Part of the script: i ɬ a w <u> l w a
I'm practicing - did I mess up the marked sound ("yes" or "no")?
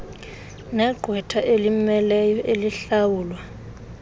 yes